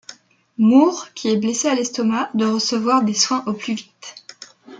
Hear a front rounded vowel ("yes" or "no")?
yes